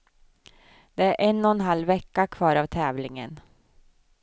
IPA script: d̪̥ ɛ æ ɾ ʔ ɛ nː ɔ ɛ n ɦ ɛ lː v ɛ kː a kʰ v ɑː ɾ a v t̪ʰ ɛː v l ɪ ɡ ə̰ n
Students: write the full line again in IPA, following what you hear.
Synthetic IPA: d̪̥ ɛ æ ɾ ʔ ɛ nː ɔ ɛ n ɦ a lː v ɛ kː a kʰ v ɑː ɾ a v t̪ʰ ɛː v l ɪ ŋ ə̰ n

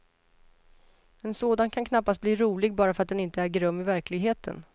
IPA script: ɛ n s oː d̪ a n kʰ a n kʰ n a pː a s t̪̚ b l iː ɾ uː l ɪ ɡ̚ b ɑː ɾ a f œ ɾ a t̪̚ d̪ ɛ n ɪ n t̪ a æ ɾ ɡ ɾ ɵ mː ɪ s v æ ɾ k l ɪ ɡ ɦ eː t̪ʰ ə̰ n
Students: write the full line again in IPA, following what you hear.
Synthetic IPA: ɛ n s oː d̪ a n kʰ a n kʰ n a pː a s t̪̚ b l iː ɾ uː l ɪ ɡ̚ b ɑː ɾ a f œ ɾ a t̪̚ d̪ ɛ n ɪ n t̪ ə æ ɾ ɡ ɾ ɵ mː ɪ v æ ɾ k l ɪ ɡ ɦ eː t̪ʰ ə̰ n

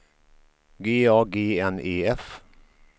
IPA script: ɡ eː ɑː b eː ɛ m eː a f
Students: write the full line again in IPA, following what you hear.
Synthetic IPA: ɡ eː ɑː ɡ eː ɛ n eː ɛ f

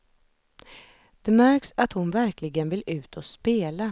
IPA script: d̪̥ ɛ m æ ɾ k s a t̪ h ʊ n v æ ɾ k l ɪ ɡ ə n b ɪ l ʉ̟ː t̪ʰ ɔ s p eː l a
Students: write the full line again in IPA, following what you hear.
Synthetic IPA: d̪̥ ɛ m æ ɾ k s a t̪ h ʊ n v æ ɾ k l ɪ ɡ ə n v ɪ l ʉ̟ː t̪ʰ ɔ s p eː l a

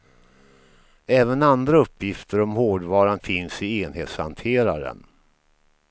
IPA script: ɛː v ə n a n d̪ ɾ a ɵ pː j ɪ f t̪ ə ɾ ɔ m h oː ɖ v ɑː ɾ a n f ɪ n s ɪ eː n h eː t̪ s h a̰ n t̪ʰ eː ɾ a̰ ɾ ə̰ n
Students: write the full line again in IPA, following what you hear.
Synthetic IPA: ɛː v ə n a n d̪ ɾ a ɵ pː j ɪ f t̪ ə ɾ ɔ m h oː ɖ v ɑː ɾ a n f ɪ n s ɪ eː n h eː t̪ s h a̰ n t̪ʰ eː ɾ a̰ ɾ ə̰ n

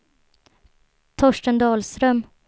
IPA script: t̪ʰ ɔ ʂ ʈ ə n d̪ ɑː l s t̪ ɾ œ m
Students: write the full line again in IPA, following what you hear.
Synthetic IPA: t̪ʰ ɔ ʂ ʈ ə n d̪ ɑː l s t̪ ɾ œ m

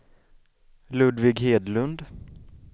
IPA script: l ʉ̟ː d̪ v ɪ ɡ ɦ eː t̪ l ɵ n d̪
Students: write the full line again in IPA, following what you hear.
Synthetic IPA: l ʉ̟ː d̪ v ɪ ɡ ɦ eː d̪ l ɵ n d̪

